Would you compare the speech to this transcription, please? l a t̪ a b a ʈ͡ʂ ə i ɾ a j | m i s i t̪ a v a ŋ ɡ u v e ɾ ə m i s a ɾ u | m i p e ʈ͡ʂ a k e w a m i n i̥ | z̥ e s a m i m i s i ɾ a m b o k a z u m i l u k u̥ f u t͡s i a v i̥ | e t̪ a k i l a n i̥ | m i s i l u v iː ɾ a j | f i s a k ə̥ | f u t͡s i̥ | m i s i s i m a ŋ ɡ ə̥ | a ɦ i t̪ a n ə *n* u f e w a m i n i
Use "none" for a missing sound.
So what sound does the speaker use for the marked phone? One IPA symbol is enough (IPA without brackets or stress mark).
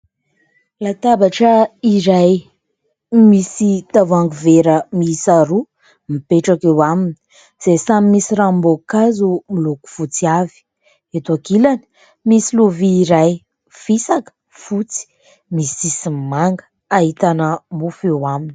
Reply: m